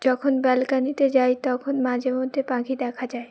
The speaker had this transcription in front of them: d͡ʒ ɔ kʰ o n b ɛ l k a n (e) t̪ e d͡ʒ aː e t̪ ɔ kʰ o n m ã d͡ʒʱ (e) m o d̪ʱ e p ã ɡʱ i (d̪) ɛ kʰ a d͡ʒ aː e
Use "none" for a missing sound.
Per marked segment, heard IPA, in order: i, e, d̪

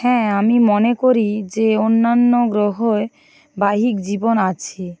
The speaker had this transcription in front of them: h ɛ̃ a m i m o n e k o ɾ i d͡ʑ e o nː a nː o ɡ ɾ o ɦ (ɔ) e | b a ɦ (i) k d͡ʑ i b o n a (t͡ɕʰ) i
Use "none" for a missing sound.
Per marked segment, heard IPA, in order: o, i, t͡ɕʰ

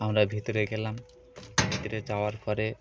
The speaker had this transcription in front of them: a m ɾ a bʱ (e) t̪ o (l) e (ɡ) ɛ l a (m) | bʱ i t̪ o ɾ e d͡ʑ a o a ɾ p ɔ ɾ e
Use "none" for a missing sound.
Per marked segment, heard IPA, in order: i, ɾ, ɡ, m

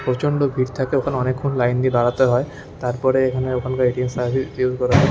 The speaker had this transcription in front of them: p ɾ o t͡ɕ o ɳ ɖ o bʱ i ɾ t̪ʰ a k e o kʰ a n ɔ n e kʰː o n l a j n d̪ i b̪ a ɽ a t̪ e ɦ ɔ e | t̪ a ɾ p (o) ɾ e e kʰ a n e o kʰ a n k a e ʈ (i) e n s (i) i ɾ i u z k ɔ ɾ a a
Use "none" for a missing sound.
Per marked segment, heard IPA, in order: ɔ, i, a

